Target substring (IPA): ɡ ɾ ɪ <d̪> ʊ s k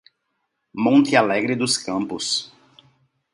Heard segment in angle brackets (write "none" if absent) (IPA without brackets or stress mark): d̪